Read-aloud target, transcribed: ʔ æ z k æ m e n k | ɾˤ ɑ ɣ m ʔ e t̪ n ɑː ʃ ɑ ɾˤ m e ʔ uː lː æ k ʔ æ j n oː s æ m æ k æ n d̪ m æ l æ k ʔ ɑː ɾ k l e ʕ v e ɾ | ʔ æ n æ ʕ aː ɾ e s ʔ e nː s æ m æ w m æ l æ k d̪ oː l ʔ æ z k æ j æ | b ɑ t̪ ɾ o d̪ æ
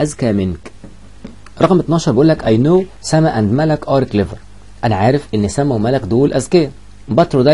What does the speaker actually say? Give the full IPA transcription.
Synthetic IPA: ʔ æ z k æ m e n k | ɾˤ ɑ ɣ m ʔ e t̪ n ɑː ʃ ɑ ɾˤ b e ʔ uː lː æ k ʔ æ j n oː s æ m æ ʔ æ n d̪ m æ l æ k ʔ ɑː ɾ k l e v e ɾ | ʔ æ n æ ʕ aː ɾ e f ʔ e nː s æ m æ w m æ l æ k d̪ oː l ʔ æ z k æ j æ | b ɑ t̪ ɾ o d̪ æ